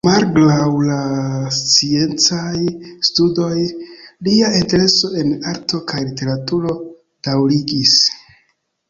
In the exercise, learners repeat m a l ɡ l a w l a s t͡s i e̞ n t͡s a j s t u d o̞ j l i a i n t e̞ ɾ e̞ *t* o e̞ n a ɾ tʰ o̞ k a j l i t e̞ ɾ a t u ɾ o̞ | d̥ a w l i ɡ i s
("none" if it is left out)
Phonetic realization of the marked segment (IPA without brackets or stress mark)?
s